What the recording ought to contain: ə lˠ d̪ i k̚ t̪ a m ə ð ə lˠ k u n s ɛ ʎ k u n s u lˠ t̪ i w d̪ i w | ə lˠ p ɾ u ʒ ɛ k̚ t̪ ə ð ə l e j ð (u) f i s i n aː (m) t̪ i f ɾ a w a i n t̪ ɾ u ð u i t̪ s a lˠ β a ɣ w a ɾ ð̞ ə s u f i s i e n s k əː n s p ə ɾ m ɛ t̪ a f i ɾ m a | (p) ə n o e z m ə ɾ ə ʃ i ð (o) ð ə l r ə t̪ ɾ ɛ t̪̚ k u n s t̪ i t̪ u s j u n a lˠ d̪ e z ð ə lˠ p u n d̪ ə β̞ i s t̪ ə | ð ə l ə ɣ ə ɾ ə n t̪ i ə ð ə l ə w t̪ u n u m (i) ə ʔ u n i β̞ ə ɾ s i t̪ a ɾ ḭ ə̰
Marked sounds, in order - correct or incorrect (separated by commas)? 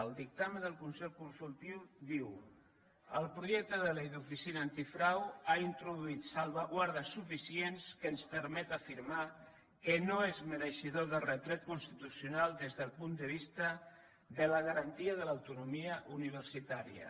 correct, incorrect, incorrect, correct, correct